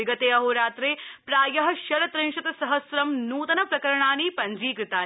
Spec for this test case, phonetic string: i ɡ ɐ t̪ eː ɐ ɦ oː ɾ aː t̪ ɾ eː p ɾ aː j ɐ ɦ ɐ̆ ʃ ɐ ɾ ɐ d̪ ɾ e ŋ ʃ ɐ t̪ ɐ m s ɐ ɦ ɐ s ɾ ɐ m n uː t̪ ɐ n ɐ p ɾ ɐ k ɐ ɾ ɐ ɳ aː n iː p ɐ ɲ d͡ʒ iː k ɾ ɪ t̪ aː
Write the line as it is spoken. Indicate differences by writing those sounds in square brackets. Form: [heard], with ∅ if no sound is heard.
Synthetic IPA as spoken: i ɡ ɐ t̪ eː ɐ ɦ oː ɾ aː t̪ ɾ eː p ɾ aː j ɐ ɦ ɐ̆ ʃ ɐ ɾ ɐ [t̪] ɾ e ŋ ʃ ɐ t̪ ɐ [∅] s ɐ ɦ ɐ s ɾ ɐ m n uː t̪ ɐ n ɐ p ɾ ɐ k ɐ ɾ ɐ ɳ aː n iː p ɐ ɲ d͡ʒ iː k ɾ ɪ t̪ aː